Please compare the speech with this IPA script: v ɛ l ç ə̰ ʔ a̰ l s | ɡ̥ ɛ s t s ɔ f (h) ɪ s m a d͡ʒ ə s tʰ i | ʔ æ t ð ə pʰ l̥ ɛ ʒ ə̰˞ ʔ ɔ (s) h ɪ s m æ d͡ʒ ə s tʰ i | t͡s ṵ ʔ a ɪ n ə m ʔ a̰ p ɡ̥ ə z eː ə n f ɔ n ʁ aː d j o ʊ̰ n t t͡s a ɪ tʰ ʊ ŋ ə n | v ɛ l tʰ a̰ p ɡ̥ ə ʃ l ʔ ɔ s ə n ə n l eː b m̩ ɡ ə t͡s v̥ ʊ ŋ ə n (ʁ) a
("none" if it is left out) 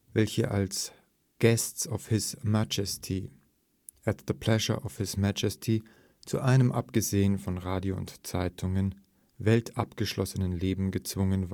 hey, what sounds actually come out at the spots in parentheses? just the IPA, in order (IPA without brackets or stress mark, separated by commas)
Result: h, f, v